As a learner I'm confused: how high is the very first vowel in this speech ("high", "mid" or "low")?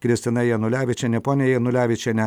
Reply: high